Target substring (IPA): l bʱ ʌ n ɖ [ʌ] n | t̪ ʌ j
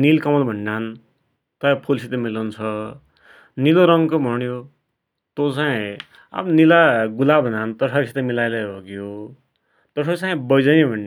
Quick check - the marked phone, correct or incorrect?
incorrect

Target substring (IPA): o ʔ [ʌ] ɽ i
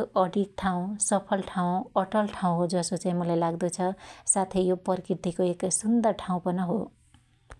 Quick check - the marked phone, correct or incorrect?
correct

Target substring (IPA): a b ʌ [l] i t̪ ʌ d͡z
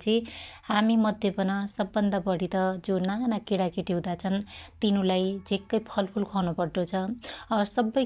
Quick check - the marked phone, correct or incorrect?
incorrect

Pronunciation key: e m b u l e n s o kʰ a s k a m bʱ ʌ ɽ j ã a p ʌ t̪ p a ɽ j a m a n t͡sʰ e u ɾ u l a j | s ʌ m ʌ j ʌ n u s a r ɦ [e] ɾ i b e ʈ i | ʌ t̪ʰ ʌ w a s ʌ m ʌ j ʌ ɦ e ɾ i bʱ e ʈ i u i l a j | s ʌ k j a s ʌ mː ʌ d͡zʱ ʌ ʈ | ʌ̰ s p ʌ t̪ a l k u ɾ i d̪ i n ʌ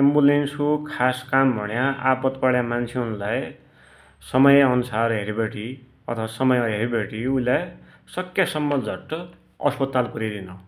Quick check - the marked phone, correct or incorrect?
correct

